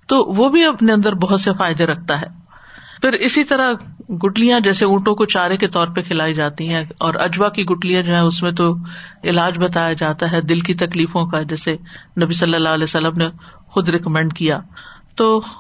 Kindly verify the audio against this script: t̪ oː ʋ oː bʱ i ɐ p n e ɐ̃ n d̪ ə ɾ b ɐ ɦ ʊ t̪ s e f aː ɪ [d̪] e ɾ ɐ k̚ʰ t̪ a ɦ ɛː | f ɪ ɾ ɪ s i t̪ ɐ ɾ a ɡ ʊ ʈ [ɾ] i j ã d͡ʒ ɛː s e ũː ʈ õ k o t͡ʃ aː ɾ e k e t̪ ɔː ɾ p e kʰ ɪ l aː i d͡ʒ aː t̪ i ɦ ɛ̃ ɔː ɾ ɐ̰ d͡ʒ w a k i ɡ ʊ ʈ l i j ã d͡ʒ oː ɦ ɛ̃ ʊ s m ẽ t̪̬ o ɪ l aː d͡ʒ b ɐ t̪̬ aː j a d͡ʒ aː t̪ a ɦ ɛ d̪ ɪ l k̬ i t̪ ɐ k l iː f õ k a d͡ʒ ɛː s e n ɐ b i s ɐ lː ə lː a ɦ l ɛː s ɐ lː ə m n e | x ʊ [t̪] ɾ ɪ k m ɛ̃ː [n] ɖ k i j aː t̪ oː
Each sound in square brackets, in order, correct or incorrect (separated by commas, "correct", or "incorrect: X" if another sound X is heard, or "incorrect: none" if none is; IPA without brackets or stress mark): correct, incorrect: l, incorrect: d̪, incorrect: ɳ